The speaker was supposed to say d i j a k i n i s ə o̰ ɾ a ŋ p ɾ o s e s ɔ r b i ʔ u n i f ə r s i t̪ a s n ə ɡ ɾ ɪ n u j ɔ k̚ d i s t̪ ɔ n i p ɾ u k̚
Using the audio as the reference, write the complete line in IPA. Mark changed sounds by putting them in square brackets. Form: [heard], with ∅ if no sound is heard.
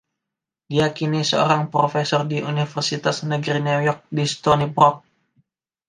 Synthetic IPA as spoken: d i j a k i n i s ə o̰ ɾ a ŋ p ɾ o [f] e s ɔ r [d] i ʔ u n i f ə r s i t̪ a s n ə ɡ ɾ [i] n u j ɔ k̚ d i s t̪ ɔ n i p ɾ [ɔ] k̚